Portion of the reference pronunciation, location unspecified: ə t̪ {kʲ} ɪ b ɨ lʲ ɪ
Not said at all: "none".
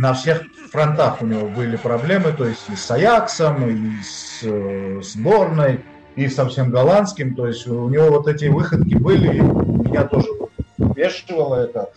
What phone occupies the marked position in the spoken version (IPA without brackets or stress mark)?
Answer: kʲ